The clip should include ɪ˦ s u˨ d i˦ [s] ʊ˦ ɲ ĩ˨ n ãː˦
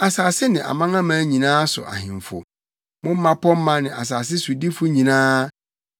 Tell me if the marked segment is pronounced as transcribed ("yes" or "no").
no